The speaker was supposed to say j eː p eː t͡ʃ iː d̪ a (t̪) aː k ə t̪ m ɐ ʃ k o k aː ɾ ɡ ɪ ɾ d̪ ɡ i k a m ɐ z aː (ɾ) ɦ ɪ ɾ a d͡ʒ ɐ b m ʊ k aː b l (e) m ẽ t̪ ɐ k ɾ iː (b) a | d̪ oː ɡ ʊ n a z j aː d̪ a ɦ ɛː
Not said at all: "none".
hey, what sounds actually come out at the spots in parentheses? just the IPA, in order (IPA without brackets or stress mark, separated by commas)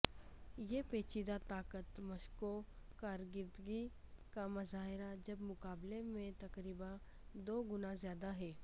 t̪, none, e, b